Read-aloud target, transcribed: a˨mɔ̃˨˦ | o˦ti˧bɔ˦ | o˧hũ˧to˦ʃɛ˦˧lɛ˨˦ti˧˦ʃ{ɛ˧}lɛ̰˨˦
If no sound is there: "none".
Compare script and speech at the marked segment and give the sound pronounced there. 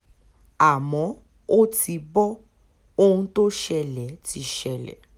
ɛ˧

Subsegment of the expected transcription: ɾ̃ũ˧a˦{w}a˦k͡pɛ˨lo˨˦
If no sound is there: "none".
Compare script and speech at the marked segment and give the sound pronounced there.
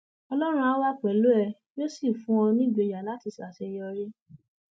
w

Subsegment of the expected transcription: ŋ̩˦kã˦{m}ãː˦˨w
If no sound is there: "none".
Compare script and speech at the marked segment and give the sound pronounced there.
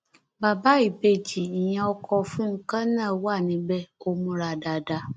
n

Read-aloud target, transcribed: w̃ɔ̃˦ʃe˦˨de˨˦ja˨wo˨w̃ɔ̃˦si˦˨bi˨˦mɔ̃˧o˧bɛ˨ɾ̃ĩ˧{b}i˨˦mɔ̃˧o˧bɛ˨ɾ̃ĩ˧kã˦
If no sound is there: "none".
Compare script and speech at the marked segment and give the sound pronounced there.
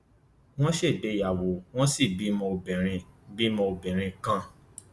b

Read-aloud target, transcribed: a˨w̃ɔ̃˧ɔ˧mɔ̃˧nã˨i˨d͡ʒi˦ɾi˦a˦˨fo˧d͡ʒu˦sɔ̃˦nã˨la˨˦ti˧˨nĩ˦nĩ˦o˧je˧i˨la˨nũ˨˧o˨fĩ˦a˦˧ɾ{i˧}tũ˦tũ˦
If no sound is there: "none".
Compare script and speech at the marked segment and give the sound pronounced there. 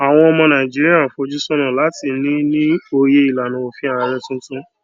ɛ˧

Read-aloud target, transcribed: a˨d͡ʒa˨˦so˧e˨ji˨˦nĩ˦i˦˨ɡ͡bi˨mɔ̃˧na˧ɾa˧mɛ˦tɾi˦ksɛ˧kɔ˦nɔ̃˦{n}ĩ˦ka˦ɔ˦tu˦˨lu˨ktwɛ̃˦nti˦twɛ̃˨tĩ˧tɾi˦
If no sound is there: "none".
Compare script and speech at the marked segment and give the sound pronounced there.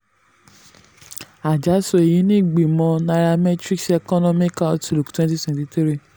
m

